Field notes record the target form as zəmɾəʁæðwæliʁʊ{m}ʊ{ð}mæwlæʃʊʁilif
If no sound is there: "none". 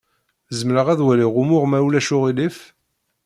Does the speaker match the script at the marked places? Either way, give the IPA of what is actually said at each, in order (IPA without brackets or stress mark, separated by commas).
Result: m, ʁ